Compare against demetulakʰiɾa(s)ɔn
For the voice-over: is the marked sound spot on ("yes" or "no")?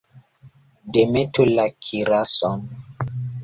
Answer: yes